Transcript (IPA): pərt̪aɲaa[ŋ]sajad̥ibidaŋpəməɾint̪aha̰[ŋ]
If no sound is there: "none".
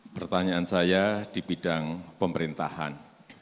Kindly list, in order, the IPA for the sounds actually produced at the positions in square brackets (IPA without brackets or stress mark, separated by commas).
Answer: n, n